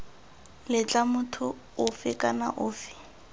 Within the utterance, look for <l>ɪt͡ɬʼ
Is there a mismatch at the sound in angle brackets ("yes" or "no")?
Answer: no